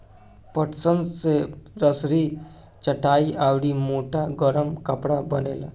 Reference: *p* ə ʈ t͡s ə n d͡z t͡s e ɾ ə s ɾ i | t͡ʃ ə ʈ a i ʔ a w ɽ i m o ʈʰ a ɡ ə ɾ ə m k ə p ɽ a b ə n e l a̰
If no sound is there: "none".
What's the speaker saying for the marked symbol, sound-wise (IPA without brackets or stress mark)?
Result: p